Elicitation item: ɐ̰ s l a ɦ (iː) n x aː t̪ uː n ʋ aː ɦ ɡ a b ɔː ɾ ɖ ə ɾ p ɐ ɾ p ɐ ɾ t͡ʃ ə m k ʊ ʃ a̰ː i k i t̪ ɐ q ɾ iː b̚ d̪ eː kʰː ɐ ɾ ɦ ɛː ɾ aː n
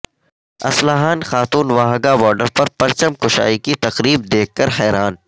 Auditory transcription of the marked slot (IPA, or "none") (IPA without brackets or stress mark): aː